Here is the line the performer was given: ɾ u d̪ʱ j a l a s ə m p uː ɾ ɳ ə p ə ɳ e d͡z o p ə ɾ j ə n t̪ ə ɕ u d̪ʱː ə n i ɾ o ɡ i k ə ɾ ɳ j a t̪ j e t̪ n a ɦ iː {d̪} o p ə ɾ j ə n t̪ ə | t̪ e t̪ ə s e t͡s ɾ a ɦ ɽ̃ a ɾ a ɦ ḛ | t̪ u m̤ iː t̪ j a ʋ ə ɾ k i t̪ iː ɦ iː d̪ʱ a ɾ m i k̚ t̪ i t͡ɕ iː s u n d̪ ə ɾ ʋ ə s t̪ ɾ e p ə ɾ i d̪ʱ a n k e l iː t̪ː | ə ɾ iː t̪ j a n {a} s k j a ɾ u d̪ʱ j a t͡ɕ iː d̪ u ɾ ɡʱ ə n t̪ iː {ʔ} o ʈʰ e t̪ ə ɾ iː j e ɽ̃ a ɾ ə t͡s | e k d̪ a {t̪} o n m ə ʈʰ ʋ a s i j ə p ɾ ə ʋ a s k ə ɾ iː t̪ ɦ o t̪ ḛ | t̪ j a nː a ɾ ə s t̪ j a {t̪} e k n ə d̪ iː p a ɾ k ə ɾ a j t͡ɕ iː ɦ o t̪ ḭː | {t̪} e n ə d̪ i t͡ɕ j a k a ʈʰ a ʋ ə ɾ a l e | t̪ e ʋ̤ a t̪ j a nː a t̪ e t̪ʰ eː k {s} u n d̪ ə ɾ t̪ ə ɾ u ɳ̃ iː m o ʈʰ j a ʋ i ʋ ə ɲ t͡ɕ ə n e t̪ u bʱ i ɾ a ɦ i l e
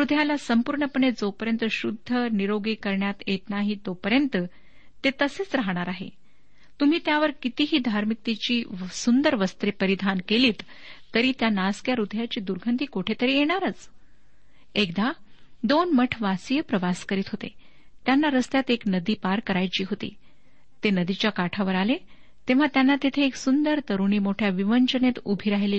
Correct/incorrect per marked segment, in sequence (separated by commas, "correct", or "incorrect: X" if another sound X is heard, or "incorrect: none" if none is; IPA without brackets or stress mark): incorrect: t̪, correct, incorrect: k, incorrect: d̪, correct, correct, correct